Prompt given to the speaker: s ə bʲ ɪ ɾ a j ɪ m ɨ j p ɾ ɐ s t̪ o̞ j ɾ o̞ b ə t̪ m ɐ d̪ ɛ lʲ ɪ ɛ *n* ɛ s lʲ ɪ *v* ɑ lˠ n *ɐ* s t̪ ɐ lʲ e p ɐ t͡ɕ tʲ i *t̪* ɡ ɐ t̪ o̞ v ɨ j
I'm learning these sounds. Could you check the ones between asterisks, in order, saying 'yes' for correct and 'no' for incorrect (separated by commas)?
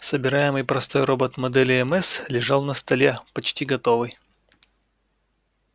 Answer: no, no, no, no